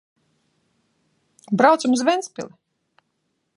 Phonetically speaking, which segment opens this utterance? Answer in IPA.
b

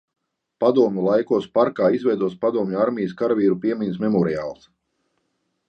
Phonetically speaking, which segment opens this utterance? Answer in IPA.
p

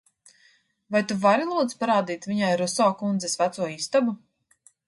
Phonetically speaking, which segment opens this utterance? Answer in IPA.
v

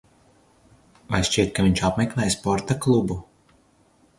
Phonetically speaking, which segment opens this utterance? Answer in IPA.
v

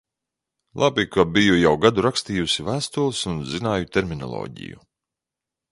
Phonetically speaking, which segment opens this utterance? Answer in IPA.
lˠ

